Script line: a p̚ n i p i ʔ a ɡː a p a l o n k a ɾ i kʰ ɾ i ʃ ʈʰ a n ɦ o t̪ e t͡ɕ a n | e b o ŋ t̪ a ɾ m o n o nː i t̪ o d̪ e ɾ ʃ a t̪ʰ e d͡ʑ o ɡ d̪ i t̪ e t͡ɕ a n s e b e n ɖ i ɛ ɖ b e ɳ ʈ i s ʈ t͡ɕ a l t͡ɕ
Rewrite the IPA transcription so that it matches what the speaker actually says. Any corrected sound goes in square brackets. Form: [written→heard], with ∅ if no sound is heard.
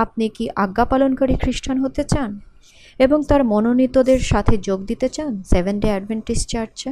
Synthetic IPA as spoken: a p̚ n i [p→k] i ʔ a ɡː a p a l o n k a ɾ i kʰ ɾ i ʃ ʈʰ a n ɦ o t̪ e t͡ɕ a n | e b o ŋ t̪ a ɾ m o n o [nː→n] i t̪ o d̪ e ɾ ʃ a t̪ʰ e d͡ʑ o ɡ d̪ i t̪ e t͡ɕ a n s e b e n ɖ [i→e] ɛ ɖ b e ɳ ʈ i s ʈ t͡ɕ a [l→ɾ] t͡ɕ